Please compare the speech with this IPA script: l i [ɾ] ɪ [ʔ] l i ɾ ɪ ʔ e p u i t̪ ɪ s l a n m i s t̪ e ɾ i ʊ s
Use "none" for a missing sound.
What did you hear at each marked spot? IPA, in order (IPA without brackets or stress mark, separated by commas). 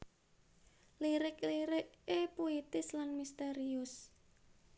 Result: ɾ, k